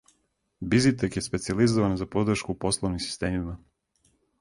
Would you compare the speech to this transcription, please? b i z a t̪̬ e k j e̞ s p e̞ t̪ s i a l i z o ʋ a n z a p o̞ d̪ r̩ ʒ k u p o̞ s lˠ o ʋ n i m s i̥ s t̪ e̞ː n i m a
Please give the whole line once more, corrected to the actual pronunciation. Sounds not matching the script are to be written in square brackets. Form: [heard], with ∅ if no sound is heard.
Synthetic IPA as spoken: b i z [i] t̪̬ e k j e̞ s p e̞ t̪ s i a l i z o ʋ a n z a p o̞ d̪ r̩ [ʃ] k u p o̞ s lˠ o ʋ n i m s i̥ s t̪ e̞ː [m] i m a